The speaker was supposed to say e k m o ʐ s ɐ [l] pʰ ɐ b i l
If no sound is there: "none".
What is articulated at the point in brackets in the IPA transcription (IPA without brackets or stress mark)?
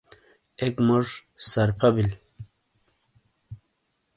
ɾ